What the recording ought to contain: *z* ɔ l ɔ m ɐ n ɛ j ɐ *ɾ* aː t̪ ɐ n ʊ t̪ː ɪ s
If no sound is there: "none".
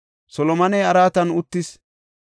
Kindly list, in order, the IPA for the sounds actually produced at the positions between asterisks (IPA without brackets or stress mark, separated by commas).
s, ɾ